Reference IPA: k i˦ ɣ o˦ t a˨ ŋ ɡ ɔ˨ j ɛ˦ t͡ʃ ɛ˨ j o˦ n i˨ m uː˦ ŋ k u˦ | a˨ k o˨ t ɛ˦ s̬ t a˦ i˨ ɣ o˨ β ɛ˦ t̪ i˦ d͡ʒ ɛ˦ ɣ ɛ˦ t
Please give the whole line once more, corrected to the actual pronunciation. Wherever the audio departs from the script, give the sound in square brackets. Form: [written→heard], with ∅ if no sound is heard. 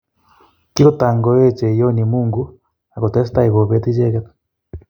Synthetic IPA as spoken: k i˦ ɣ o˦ t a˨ ŋ ɡ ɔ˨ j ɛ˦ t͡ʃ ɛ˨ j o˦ n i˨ m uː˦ ŋ [k→ɡ] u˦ | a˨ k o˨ t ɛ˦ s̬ t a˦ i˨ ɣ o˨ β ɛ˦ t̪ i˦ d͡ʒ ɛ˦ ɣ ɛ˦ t